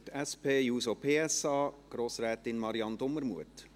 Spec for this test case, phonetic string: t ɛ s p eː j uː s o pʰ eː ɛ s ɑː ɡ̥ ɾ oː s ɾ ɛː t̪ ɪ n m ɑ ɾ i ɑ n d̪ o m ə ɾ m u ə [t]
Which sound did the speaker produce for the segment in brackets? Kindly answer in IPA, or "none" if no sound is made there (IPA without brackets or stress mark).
t